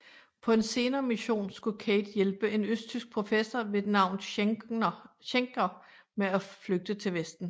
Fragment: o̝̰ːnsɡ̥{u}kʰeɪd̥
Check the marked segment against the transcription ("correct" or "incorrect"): correct